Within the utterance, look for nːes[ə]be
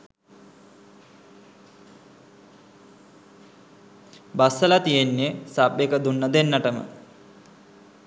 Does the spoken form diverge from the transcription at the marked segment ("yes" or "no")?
yes